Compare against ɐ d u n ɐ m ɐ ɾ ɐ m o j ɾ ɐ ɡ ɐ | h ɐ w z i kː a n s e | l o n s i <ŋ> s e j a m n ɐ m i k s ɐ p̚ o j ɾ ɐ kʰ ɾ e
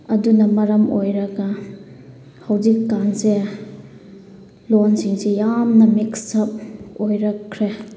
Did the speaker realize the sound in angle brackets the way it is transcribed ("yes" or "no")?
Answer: yes